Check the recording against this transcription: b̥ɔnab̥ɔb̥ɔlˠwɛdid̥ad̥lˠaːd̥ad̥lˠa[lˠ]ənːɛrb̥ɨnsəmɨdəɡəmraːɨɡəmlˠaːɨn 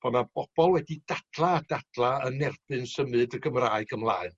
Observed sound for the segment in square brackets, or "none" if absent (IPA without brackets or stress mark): none